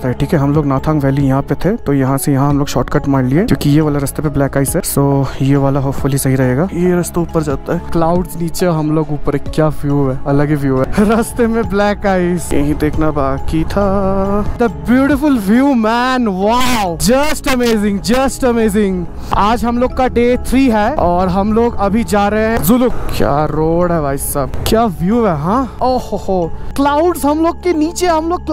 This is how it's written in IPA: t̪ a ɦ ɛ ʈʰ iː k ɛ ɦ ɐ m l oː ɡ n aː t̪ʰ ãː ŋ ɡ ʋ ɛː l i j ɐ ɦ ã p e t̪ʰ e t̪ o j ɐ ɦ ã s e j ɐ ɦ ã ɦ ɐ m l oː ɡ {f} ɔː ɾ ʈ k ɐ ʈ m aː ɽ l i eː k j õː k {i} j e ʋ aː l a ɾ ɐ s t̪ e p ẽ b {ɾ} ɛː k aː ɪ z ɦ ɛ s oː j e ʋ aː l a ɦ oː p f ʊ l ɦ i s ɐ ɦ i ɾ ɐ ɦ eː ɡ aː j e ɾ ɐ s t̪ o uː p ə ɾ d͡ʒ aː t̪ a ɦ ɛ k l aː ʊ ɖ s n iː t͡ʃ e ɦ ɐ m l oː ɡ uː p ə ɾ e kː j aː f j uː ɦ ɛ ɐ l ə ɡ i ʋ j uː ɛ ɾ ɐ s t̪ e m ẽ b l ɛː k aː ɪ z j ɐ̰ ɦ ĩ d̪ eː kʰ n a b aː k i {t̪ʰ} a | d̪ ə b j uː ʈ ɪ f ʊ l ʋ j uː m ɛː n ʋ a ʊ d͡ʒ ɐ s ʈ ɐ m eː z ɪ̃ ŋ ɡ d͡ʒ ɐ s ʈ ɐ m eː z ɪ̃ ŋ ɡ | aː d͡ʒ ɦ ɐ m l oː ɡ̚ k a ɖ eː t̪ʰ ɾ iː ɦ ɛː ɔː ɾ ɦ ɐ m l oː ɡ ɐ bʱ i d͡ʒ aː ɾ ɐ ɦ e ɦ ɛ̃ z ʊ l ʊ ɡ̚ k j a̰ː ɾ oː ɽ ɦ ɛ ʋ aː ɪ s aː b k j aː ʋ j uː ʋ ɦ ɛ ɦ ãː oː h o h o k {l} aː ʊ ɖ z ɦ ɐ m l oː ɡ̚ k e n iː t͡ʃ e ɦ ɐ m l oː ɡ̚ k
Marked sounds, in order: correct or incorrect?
incorrect: ʃ, correct, incorrect: l, correct, correct

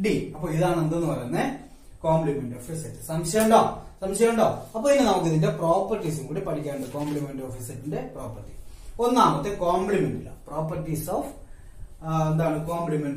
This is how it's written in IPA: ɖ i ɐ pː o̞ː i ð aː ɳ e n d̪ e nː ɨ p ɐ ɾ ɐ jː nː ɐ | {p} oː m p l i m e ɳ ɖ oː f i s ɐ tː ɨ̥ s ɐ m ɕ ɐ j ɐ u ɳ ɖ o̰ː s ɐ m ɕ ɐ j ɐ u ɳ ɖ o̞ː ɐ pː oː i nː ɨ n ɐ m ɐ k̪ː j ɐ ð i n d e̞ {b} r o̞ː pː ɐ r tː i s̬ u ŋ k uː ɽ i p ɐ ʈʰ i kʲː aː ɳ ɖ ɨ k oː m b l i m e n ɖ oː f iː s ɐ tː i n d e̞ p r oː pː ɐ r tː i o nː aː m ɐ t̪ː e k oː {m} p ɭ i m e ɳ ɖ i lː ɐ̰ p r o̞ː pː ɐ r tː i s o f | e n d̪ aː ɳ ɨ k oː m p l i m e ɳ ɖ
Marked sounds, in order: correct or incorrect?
incorrect: k, incorrect: p, correct

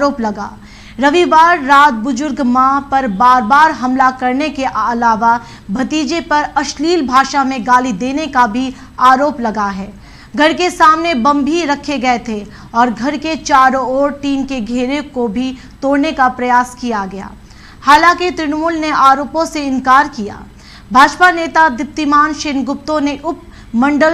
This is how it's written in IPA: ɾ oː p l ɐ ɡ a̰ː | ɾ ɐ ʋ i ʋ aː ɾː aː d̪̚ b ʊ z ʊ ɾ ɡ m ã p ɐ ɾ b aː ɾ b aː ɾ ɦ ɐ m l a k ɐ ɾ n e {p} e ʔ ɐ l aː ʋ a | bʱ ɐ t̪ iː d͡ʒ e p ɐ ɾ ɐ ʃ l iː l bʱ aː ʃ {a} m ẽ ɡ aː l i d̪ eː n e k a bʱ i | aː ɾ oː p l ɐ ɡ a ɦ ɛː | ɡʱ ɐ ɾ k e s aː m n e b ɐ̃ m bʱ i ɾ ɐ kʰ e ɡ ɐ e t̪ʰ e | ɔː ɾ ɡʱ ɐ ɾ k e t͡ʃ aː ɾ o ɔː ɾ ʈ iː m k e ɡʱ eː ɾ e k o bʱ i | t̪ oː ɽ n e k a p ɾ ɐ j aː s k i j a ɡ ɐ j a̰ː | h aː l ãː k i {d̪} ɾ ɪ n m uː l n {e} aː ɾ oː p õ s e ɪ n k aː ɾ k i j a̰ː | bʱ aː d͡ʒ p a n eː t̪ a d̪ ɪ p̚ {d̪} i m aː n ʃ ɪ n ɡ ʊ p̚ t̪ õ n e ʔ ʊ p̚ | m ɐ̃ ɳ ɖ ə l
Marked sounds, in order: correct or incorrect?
incorrect: k, correct, incorrect: t̪, correct, incorrect: t̪

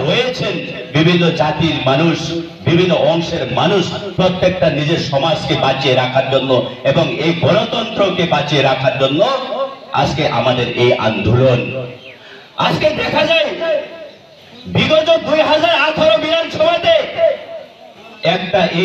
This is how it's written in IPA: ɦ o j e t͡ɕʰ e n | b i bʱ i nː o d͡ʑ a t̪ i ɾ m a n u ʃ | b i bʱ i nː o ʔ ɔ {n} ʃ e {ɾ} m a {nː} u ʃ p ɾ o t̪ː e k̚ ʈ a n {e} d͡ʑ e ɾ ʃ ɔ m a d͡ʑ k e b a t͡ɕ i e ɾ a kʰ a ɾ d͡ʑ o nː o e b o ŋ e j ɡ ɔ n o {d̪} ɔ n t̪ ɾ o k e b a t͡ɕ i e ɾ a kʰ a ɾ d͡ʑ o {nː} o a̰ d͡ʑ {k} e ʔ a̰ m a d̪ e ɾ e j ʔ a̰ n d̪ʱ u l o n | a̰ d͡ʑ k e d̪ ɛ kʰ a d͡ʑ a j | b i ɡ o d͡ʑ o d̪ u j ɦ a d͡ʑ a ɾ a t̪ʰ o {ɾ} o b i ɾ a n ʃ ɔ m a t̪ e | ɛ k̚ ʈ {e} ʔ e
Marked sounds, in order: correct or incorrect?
incorrect: ŋ, correct, incorrect: n, incorrect: i, incorrect: t̪, correct, correct, correct, incorrect: a

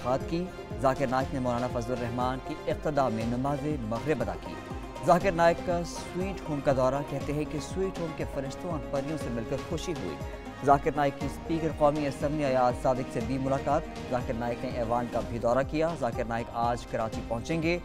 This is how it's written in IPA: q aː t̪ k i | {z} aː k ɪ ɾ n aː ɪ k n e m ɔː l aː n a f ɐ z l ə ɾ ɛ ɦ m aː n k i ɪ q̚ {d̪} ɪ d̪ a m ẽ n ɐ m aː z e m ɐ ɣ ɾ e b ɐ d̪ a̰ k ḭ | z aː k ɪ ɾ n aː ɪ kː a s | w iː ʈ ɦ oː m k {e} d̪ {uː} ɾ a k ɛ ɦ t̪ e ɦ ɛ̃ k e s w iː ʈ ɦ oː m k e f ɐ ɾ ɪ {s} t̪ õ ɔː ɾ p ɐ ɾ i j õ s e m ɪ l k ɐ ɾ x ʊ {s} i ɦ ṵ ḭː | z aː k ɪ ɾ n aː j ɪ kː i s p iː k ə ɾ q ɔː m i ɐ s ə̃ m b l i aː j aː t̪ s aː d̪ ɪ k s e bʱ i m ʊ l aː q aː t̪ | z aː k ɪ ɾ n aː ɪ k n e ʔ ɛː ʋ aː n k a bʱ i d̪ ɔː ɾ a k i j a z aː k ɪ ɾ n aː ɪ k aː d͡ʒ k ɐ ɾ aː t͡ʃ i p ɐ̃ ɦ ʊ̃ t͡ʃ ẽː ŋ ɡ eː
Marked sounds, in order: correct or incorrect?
correct, incorrect: t̪, incorrect: a, incorrect: ɔː, incorrect: ʃ, incorrect: ʃ

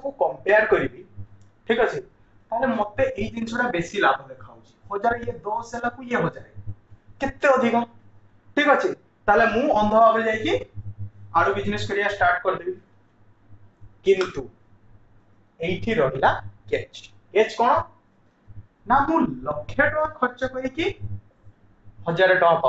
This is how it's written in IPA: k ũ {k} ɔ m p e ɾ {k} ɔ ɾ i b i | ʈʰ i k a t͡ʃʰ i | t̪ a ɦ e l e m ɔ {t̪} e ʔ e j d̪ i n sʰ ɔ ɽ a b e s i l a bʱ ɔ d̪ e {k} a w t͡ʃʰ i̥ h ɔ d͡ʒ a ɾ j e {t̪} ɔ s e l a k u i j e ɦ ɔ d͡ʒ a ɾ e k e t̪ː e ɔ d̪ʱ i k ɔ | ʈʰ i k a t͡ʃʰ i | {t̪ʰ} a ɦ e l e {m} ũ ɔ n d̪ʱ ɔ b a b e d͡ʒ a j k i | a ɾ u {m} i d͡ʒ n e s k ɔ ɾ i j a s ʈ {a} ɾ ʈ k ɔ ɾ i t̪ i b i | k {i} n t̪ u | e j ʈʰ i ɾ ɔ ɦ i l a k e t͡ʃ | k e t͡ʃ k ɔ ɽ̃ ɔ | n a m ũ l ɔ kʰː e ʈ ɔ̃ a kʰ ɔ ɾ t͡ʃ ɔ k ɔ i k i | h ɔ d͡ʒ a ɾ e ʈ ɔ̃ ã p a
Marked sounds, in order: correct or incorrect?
correct, correct, correct, incorrect: kʰ, incorrect: d̪, incorrect: t̪, correct, incorrect: b, correct, correct

